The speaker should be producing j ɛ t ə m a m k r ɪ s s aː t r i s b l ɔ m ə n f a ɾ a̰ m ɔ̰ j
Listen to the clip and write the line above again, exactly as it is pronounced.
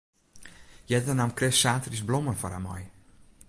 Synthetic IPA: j ɛ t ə n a m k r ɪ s s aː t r i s b l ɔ m ə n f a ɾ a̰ m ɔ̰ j